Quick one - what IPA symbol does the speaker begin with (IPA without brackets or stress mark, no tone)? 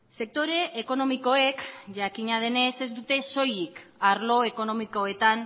s